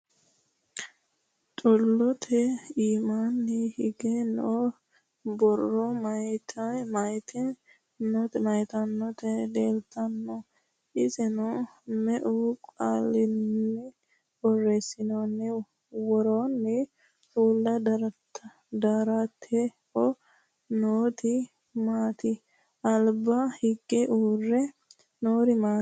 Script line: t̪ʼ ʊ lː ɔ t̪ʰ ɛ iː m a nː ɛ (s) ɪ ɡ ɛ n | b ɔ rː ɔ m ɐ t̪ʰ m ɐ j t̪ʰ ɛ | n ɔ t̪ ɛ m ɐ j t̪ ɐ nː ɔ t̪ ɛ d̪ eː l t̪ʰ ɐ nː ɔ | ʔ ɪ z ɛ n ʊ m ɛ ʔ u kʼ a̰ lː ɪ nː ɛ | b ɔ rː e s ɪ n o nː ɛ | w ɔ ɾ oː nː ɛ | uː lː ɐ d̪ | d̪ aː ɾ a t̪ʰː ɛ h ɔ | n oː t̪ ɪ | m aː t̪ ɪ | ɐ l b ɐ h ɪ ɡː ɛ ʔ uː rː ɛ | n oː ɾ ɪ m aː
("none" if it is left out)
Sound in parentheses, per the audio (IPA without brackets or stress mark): h